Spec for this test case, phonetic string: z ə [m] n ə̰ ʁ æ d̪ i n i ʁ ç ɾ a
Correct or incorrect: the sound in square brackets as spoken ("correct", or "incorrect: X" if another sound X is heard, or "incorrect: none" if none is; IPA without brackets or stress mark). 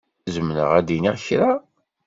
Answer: correct